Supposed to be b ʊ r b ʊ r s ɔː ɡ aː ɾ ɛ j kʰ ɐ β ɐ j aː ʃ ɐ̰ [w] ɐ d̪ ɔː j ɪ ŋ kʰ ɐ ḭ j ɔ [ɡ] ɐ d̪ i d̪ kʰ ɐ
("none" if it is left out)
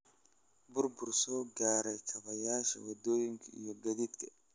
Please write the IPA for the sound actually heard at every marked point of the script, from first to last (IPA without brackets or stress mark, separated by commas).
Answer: w, ɡ